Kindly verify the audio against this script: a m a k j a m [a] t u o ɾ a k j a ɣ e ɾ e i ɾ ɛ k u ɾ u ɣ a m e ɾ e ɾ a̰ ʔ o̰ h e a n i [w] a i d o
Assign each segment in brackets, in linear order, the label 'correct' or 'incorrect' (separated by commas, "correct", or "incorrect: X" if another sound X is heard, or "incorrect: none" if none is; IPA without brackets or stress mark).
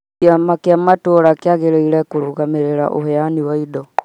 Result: correct, correct